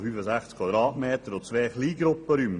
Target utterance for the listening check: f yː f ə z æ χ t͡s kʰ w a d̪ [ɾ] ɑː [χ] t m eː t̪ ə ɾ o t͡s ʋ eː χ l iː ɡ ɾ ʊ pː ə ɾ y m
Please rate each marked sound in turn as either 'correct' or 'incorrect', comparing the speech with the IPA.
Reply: correct, incorrect: none

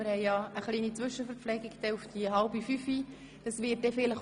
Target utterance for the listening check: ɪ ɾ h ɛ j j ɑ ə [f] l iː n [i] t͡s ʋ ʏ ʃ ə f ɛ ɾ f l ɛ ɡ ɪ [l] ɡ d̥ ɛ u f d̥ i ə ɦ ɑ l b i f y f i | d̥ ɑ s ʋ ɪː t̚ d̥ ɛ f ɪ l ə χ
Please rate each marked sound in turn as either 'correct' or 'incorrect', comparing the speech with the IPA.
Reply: incorrect: χ, correct, incorrect: none

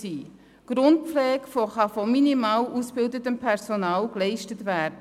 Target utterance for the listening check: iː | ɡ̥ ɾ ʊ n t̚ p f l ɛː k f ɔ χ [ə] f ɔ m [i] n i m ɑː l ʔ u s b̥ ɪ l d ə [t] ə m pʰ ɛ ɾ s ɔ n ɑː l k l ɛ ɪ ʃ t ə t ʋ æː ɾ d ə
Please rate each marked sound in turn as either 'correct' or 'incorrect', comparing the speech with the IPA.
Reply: incorrect: ɑ, correct, correct

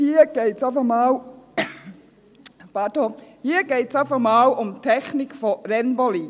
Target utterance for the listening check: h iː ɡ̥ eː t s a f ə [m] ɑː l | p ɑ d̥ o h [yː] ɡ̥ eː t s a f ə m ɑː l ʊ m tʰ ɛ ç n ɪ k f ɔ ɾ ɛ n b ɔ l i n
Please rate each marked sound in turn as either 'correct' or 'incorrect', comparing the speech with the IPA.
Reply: correct, incorrect: iː

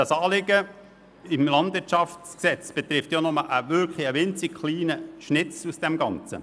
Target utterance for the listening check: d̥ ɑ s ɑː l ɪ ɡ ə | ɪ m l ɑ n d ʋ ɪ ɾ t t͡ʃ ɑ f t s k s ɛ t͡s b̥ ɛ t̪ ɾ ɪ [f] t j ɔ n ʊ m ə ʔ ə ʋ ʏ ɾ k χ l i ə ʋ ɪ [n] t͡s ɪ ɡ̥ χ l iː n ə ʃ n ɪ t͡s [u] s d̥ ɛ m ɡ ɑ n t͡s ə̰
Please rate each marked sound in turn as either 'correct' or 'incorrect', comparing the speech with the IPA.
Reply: correct, correct, correct

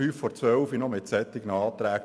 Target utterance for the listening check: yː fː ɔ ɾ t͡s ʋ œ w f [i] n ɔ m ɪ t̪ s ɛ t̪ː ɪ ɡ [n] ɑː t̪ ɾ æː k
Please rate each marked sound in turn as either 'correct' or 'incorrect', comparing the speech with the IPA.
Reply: correct, correct

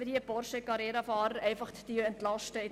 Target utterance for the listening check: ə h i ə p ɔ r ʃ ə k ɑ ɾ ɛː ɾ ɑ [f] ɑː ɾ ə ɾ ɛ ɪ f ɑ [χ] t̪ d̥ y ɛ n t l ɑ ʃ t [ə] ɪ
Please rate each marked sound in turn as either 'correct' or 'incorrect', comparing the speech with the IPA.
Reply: correct, correct, correct

